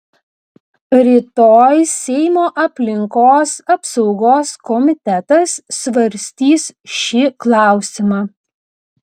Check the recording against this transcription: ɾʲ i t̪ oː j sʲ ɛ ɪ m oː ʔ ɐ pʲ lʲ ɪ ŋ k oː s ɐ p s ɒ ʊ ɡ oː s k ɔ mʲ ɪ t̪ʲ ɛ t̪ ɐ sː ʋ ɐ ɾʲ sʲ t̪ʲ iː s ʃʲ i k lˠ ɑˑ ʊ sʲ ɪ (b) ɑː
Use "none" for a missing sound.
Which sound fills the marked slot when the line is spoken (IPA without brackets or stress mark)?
m